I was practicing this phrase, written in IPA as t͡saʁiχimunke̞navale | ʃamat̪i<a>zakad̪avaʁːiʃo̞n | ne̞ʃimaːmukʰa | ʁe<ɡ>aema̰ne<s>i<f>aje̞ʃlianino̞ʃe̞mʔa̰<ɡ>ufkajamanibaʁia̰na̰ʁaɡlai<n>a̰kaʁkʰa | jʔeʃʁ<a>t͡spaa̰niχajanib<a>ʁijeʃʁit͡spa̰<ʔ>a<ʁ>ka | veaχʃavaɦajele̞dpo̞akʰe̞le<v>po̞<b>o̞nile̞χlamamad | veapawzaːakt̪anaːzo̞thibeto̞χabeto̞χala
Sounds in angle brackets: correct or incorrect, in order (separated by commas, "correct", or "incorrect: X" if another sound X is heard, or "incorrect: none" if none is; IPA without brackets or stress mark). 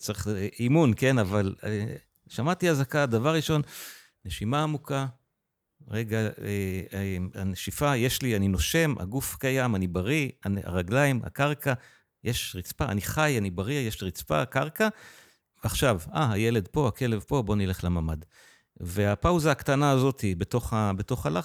correct, correct, incorrect: ʃ, correct, correct, incorrect: m, incorrect: i, correct, incorrect: k, correct, correct, correct